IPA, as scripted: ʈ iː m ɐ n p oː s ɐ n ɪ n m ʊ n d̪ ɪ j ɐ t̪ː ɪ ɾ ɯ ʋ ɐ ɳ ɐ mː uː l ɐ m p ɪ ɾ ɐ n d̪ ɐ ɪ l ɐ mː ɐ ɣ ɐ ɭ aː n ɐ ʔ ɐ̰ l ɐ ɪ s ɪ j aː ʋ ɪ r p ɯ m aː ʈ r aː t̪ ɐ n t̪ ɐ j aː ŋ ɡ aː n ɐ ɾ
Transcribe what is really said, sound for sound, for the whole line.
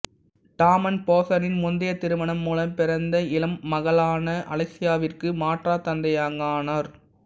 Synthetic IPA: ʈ aː m ɐ n p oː s ɐ n ɪ n m ʊ n d̪ ɪ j ɐ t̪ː ɪ ɾ ɯ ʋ ɐ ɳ ɐ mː uː l ɐ m p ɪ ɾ ɐ n d̪ ɐ ɪ l ɐ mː ɐ ɣ ɐ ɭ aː n ɐ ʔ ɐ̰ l ɐ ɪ s ɪ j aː ʋ ɪ r k ɯ m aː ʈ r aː t̪ ɐ n d̪ ɐ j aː ŋ ɡ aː n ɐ ɾ